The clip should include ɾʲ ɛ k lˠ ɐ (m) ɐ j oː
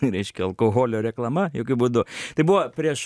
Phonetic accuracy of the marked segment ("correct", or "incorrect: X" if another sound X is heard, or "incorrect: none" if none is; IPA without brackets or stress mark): correct